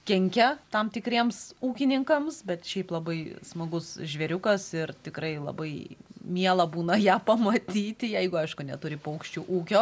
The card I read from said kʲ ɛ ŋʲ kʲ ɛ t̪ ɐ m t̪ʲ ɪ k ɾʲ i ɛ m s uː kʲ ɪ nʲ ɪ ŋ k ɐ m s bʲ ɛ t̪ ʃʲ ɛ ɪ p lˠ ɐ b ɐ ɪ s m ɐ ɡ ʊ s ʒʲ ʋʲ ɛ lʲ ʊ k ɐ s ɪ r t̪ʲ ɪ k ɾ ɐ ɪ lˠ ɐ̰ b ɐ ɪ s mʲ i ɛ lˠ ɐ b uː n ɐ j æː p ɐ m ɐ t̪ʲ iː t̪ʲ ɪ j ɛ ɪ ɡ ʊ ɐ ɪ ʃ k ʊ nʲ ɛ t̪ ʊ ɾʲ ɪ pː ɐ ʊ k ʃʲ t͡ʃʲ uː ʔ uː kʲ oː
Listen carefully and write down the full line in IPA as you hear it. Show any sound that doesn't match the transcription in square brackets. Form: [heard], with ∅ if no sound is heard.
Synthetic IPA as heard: kʲ ɛ ŋʲ kʲ ɛ t̪ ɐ m t̪ʲ ɪ k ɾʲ i ɛ m s uː kʲ ɪ nʲ ɪ ŋ k ɐ m s bʲ ɛ t̪ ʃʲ ɛ ɪ p lˠ ɐ b ɐ ɪ s m ɐ ɡ ʊ s ʒʲ ʋʲ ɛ [ɾʲ] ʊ k ɐ s ɪ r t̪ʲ ɪ k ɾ ɐ ɪ lˠ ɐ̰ b ɐ ɪ [∅] mʲ i ɛ lˠ ɐ b uː n ɐ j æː p ɐ m ɐ t̪ʲ iː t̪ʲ ɪ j ɛ ɪ ɡ ʊ ɐ ɪ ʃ k ʊ nʲ ɛ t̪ ʊ ɾʲ ɪ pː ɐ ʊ k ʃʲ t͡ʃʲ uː ʔ uː kʲ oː